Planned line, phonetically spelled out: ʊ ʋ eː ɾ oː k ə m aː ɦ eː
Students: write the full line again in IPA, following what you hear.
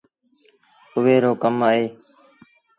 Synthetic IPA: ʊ ʋ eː ɾ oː k ə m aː ɦ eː